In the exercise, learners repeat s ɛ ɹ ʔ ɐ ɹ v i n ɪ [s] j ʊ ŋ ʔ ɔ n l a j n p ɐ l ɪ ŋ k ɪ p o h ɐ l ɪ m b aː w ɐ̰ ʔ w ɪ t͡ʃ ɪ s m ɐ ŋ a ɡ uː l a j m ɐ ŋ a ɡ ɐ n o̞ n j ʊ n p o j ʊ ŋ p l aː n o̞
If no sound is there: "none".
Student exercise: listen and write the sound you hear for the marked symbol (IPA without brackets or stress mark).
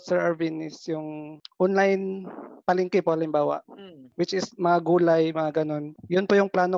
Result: s